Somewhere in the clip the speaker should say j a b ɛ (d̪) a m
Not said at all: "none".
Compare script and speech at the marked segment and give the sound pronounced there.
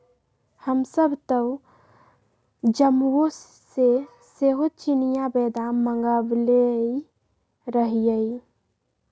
d̪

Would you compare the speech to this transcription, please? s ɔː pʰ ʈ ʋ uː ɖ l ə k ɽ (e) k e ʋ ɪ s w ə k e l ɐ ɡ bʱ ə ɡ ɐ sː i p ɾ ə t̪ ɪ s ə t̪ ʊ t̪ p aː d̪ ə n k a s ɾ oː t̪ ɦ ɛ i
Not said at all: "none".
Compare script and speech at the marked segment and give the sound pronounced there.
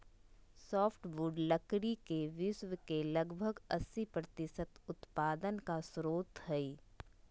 i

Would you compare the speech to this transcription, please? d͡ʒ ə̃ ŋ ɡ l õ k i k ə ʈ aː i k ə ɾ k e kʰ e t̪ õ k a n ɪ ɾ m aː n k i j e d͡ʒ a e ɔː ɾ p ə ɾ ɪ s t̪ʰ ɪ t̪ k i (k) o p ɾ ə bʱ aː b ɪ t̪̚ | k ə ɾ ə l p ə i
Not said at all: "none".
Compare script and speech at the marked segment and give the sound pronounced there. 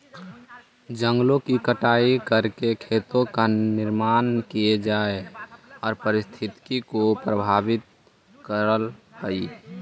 k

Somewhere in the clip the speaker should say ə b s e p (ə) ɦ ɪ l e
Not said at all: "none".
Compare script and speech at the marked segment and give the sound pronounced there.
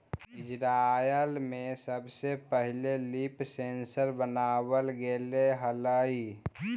ə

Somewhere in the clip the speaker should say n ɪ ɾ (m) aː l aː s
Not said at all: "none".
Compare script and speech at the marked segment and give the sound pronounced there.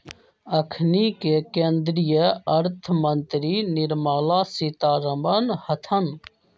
m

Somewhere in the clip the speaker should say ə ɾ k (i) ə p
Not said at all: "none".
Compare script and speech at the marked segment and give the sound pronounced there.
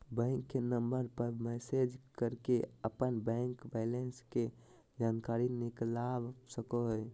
e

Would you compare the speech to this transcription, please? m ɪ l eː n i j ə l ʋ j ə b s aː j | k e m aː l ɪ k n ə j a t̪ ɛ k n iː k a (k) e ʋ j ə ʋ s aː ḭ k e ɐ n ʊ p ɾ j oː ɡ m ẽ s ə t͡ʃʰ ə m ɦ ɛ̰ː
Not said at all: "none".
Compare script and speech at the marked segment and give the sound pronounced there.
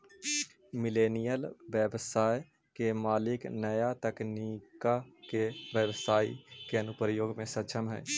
k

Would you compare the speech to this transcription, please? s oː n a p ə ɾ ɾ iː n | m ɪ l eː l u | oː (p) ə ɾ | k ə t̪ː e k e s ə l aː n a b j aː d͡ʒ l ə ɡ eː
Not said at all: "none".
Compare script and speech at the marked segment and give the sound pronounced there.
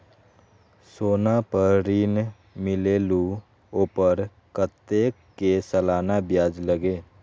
p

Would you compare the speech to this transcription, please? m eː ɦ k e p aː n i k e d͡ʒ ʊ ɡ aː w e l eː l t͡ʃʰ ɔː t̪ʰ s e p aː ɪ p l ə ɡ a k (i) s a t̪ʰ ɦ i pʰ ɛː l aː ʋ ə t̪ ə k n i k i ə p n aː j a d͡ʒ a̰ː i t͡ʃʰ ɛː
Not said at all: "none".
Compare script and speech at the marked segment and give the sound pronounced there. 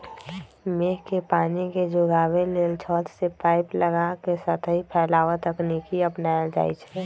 e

